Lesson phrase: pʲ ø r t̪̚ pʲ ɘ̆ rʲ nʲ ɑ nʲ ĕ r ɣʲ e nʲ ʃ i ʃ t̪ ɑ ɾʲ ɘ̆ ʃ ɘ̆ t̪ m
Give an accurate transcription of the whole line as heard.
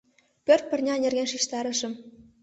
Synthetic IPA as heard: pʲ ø r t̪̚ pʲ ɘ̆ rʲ nʲ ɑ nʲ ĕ r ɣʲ e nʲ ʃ i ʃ t̪ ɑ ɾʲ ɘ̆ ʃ ɘ̆ m